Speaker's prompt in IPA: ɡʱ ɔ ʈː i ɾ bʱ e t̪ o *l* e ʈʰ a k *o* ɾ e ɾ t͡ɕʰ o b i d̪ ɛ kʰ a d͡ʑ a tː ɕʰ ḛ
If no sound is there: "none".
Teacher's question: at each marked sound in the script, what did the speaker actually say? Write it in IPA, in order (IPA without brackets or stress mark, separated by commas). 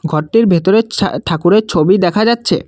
ɾ, u